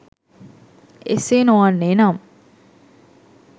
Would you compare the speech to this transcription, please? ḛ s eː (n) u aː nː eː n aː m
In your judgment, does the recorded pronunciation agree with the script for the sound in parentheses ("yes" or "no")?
yes